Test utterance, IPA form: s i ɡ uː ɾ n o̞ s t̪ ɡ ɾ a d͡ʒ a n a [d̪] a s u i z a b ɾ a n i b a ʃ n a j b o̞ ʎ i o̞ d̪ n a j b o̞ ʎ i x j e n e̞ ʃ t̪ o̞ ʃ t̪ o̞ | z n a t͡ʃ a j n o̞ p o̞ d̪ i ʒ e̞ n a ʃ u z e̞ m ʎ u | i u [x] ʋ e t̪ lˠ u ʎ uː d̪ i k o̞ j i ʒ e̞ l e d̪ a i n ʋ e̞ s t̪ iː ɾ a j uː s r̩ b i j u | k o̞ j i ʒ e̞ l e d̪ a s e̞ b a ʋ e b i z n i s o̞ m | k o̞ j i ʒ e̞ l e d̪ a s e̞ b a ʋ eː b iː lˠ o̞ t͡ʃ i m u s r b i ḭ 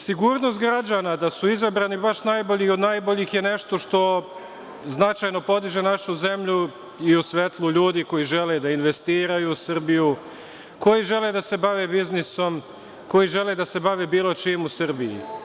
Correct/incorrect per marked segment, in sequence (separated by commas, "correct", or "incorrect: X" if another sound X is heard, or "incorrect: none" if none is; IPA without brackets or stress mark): correct, incorrect: s